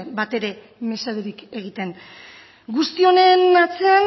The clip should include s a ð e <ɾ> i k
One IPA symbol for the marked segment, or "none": ɾ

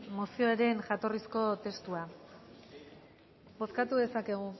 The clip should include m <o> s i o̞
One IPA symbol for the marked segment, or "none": o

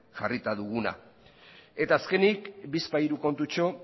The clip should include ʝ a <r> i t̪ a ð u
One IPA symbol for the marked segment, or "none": r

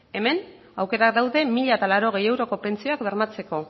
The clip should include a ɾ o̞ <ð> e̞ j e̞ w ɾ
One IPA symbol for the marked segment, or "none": ɣ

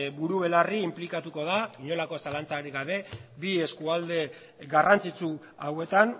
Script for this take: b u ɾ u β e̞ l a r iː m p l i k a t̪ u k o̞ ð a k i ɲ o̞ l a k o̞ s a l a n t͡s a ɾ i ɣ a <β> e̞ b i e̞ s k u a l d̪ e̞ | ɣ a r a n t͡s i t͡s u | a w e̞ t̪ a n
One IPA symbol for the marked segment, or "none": β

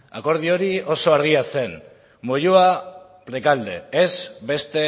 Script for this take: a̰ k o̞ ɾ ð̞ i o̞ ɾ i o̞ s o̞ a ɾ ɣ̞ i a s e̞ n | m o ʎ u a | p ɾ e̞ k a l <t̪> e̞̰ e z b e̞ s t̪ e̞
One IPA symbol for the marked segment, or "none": d̪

